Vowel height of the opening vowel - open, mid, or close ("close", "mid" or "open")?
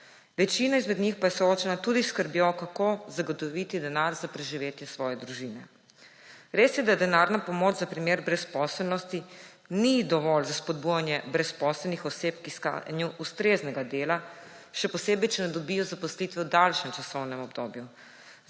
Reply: mid